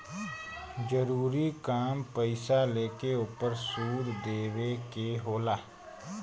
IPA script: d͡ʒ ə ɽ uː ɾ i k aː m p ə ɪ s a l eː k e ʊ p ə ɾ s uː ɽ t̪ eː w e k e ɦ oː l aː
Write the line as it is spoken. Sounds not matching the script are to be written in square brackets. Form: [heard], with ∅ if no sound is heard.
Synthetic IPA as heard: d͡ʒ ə [ɾ] uː ɾ i k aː m p ə ɪ s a l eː k e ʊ p ə ɾ s uː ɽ [d̪] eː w e k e ɦ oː l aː